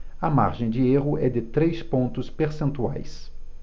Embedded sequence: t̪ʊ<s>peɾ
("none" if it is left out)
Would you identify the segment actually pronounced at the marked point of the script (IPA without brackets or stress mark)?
s